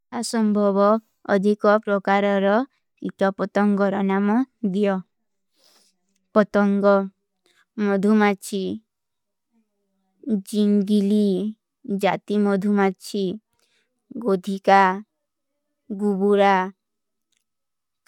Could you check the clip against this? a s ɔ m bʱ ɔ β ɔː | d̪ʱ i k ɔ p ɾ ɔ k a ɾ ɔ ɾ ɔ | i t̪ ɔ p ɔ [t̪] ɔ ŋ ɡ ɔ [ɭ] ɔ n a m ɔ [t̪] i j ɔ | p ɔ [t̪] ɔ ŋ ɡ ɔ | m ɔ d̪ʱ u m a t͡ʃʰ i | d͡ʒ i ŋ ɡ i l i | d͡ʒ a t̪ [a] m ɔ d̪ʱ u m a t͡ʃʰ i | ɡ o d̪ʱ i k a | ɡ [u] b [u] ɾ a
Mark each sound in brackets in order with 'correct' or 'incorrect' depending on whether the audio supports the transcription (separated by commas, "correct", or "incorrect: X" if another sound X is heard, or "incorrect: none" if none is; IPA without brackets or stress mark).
correct, incorrect: ɾ, incorrect: d̪, correct, incorrect: i, correct, correct